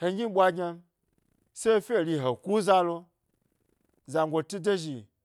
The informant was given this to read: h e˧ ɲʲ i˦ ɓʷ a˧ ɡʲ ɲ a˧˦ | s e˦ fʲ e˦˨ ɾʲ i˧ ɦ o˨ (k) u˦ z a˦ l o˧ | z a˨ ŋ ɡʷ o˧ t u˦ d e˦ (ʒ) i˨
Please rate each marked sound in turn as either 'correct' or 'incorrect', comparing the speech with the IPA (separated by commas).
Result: correct, correct